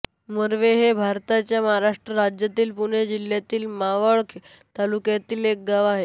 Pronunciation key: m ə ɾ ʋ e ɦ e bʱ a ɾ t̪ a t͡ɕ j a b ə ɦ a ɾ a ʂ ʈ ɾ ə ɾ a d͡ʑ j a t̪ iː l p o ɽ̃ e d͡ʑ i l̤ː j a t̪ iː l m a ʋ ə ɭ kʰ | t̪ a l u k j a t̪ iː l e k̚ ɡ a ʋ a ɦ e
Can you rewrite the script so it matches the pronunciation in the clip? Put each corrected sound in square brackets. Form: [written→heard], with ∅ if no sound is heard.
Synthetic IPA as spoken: m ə ɾ ʋ e ɦ e bʱ a ɾ t̪ a t͡ɕ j a [b→m] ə ɦ a ɾ a ʂ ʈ ɾ ə ɾ a d͡ʑ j a t̪ iː l p [o→u] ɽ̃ e d͡ʑ i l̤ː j a t̪ iː l m a ʋ ə ɭ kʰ | t̪ a l u k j a t̪ iː l e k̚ ɡ a ʋ a ɦ e